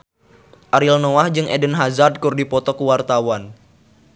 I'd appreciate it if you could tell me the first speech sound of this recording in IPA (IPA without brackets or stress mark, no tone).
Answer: ʔ